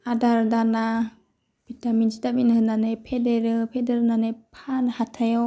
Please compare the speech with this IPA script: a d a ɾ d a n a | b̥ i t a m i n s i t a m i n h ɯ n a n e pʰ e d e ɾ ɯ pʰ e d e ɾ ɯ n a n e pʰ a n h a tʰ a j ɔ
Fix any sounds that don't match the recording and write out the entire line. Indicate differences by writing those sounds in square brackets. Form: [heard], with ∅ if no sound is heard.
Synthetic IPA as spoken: a d a ɾ d a n a | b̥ i t a m i n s i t a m i n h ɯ n a n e pʰ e d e ɾ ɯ pʰ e d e ɾ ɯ n a n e pʰ a n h a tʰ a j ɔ